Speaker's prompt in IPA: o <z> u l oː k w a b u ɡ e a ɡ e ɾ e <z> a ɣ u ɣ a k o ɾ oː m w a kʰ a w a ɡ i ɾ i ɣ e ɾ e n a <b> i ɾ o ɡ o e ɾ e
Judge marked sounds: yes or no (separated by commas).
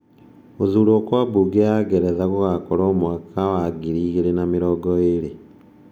yes, yes, no